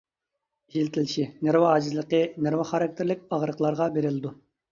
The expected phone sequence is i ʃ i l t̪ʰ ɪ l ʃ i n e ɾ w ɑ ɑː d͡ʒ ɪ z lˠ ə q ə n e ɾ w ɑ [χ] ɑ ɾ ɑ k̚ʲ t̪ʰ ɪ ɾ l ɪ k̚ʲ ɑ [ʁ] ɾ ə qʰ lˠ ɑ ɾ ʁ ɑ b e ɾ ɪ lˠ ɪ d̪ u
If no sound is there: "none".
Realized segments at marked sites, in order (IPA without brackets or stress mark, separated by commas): χ, ʁ